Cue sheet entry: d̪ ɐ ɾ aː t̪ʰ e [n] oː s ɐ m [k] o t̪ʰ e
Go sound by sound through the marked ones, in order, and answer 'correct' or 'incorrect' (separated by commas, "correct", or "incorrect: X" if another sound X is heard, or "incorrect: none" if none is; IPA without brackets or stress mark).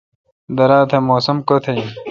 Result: incorrect: m, correct